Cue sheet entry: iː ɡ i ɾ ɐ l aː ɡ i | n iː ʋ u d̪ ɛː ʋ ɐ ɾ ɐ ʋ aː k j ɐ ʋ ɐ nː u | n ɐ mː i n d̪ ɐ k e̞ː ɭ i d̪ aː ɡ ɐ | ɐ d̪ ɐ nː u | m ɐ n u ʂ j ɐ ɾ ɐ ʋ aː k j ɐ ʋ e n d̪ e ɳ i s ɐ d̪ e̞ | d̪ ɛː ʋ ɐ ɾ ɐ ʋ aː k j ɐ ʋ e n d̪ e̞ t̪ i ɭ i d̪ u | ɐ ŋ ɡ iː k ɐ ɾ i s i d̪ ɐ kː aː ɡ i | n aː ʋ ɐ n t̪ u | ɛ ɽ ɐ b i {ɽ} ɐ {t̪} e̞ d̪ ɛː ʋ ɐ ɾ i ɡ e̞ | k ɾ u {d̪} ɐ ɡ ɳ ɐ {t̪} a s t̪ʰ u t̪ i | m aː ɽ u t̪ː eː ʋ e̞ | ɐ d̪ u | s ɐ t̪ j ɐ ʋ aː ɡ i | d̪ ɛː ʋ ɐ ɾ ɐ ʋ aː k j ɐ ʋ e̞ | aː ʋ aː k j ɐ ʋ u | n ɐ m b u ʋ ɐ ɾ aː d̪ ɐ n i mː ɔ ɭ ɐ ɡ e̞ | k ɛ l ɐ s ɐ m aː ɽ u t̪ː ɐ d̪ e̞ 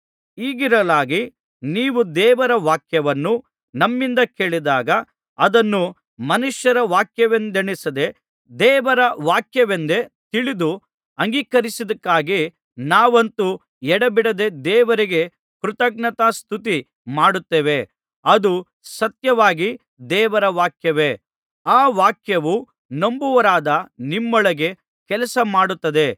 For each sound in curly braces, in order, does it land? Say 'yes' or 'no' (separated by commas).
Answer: yes, no, no, yes